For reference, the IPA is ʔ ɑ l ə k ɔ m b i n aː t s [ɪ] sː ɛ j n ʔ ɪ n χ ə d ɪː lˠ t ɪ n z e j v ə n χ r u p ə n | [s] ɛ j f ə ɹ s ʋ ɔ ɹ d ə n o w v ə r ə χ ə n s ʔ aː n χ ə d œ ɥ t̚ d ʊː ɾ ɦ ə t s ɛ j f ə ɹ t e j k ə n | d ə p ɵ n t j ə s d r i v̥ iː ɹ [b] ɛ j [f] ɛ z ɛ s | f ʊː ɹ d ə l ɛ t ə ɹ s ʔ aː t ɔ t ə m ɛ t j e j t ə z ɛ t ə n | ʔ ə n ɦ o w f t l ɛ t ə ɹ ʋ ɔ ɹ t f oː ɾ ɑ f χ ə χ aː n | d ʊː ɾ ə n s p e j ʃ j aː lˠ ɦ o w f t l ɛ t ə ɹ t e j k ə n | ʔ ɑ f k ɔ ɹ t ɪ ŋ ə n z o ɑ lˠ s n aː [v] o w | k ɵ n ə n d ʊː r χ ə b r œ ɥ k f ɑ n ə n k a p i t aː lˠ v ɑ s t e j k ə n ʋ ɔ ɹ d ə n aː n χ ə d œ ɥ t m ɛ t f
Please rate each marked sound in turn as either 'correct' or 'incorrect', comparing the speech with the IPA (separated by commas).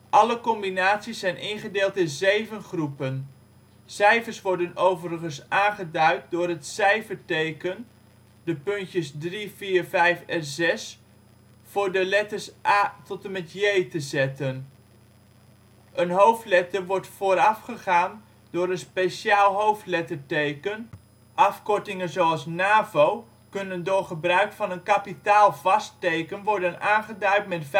incorrect, correct, incorrect, correct, correct